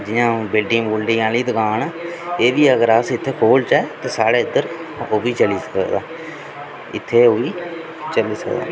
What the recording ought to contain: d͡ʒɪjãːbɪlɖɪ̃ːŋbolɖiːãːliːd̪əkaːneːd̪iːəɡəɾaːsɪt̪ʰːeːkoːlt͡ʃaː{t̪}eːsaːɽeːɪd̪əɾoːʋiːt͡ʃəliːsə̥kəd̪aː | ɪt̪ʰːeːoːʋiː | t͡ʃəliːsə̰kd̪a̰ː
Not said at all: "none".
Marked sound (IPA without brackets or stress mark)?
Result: t̪